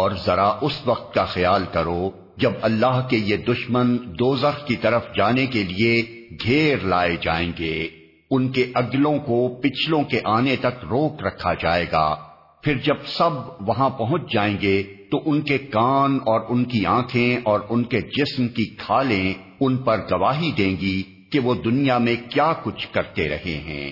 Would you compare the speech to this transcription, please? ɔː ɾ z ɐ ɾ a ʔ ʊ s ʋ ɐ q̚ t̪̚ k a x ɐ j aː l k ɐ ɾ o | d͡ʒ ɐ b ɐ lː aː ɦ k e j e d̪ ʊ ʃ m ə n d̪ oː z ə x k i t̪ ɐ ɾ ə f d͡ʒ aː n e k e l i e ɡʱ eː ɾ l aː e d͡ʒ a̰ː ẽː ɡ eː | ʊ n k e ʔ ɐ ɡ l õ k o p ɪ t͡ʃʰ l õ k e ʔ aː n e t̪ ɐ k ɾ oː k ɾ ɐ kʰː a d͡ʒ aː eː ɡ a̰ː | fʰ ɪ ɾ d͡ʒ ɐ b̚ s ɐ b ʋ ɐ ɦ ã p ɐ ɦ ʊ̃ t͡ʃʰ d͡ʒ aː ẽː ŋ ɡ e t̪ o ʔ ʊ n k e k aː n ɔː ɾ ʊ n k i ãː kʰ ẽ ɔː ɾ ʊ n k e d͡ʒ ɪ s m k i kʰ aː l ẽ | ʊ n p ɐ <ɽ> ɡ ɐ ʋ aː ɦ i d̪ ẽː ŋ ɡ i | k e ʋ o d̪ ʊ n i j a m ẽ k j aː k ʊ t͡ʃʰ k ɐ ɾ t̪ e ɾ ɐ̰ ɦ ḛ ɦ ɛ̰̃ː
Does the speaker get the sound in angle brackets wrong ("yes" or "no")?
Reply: yes